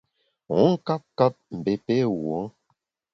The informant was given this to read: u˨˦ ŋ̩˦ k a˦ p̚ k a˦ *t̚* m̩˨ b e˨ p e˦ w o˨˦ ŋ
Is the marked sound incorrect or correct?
incorrect: p̚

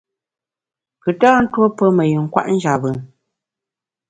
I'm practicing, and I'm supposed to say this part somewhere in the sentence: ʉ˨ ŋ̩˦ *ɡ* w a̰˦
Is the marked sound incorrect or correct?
incorrect: k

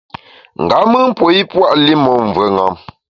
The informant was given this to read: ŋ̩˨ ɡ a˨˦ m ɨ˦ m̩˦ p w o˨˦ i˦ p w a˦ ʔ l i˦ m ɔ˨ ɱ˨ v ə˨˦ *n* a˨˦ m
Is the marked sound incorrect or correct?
incorrect: ŋ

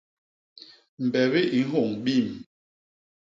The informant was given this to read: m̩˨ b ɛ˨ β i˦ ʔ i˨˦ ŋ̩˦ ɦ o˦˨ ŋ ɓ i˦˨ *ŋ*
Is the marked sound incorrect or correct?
incorrect: m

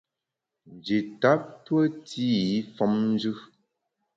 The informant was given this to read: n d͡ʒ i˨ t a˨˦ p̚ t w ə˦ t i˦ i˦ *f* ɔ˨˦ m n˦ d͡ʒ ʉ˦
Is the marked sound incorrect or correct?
correct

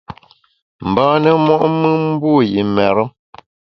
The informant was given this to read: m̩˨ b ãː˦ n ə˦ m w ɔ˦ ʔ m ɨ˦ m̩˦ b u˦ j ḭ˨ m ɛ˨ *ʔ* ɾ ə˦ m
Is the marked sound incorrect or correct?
incorrect: none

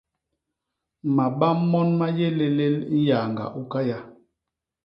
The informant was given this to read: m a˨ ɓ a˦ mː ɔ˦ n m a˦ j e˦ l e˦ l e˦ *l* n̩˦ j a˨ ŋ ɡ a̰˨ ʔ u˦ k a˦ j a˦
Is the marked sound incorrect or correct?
correct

